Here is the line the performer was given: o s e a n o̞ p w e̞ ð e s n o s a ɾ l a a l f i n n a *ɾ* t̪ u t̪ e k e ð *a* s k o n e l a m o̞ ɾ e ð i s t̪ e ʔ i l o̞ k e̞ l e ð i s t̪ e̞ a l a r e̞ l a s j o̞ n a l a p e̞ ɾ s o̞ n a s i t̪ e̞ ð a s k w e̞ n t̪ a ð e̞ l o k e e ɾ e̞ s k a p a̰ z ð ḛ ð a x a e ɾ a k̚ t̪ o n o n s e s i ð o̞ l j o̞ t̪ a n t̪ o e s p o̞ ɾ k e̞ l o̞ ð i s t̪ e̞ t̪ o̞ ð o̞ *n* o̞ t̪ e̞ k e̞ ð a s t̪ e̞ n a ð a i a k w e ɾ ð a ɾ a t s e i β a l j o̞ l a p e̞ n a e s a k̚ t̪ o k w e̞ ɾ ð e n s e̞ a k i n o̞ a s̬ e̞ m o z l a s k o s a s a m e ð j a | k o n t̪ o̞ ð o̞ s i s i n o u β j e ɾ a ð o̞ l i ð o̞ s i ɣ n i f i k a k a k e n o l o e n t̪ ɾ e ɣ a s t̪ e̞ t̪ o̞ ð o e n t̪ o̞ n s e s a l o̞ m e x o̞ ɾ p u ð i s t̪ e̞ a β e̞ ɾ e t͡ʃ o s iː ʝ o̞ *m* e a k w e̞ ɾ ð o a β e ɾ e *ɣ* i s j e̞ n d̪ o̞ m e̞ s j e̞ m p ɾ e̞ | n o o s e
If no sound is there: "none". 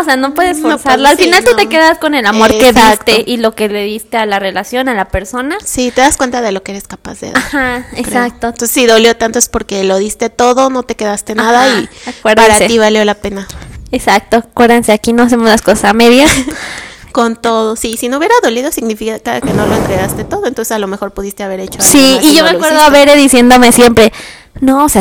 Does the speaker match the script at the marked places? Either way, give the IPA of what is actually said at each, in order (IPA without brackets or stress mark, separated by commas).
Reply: l, a, n, m, ð